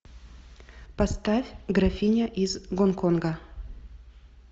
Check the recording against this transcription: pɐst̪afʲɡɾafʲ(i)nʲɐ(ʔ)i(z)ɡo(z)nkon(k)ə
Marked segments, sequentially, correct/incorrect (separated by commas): correct, correct, correct, incorrect, incorrect